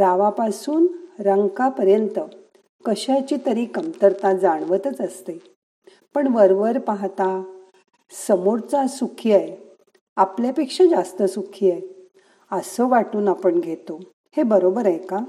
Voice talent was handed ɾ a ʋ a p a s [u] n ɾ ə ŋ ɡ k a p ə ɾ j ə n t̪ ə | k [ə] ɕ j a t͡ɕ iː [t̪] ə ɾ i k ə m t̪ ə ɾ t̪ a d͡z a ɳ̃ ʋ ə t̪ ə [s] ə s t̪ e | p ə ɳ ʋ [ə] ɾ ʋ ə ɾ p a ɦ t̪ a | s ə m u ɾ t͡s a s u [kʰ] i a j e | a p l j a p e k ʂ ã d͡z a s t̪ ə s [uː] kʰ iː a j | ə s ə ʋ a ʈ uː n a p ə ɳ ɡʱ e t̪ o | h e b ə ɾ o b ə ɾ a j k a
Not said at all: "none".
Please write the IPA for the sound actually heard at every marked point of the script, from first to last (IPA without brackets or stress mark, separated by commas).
uː, ə, t̪, t͡s, ə, kʰ, u